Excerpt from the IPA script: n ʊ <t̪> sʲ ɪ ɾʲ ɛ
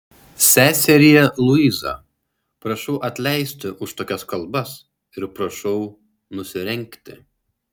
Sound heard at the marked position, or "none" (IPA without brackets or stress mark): none